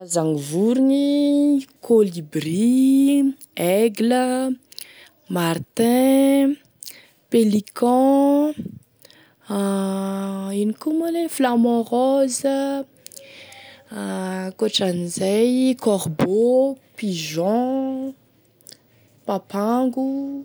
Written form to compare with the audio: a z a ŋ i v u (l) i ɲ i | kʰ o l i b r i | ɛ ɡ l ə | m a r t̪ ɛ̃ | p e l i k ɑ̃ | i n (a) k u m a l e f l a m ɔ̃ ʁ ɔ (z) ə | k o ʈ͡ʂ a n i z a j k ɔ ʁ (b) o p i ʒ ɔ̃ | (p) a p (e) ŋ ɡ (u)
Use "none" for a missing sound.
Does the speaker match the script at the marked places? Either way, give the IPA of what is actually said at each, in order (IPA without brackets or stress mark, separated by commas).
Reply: ɾ, i, z, b, p, a, u